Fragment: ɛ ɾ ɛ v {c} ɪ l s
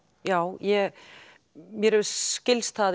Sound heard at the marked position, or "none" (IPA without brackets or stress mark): c